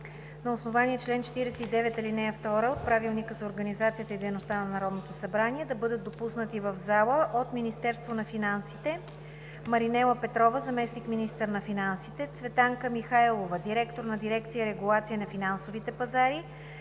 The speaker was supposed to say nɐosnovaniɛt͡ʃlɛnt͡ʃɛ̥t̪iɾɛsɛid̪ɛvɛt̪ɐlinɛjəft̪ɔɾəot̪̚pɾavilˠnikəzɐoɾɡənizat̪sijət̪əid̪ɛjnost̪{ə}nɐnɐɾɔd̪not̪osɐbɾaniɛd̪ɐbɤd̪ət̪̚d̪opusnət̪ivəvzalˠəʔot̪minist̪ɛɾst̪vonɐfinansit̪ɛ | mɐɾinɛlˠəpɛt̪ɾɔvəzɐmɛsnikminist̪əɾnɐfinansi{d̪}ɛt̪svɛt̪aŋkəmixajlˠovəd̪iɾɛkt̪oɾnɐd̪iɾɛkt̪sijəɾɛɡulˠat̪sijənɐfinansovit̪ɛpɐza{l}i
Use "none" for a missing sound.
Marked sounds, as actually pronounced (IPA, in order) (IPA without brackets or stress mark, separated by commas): a, t̪, ɾ